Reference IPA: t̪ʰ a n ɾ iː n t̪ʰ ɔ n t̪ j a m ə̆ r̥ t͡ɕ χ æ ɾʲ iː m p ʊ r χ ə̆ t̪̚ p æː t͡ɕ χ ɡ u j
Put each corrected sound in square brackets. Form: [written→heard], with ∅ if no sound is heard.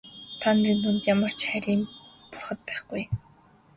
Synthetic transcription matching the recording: t̪ʰ a n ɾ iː n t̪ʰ [ɔ→u] n t̪ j a m ə̆ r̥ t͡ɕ χ æ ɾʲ iː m p ʊ r χ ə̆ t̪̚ p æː [t͡ɕ→∅] χ ɡ u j